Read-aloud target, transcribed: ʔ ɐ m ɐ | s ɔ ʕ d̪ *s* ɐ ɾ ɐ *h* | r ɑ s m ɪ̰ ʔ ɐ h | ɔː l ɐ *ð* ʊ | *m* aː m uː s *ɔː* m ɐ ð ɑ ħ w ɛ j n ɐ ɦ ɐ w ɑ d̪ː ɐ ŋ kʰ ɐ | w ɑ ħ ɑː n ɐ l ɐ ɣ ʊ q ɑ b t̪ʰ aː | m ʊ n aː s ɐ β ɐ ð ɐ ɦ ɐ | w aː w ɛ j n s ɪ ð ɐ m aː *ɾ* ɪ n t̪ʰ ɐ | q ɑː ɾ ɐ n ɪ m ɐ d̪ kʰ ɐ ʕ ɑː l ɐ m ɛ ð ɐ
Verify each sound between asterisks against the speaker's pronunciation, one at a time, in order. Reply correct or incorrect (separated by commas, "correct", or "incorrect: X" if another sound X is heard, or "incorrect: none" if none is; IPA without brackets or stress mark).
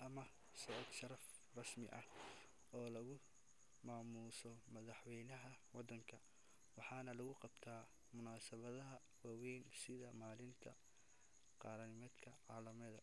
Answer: incorrect: ʃ, incorrect: f, incorrect: ɣ, correct, incorrect: ɔ, incorrect: l